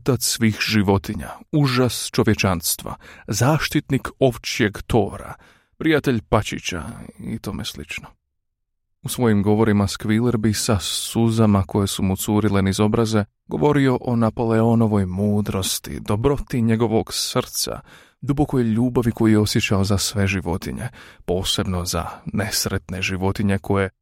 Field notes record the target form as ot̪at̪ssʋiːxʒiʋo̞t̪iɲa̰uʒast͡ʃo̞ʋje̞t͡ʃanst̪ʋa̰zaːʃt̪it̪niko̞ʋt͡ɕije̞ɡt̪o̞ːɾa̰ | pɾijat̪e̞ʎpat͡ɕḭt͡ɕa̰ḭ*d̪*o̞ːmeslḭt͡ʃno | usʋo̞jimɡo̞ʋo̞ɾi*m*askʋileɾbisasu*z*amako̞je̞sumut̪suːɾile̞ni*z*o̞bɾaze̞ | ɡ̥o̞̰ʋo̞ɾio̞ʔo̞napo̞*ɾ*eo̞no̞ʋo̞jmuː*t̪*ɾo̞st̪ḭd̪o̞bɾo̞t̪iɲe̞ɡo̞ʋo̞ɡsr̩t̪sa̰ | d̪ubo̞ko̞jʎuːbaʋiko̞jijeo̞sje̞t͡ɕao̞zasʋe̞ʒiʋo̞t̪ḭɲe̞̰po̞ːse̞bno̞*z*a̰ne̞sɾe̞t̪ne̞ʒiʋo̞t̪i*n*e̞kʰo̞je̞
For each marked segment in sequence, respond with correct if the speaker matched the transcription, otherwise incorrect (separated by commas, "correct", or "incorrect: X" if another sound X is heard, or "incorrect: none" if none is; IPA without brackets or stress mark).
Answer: incorrect: t̪, correct, correct, correct, incorrect: l, incorrect: d̪, correct, incorrect: ɲ